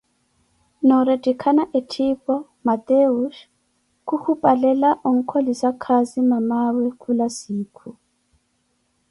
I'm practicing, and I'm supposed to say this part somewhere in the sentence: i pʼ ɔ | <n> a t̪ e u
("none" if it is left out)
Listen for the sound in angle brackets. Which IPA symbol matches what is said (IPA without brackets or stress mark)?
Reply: m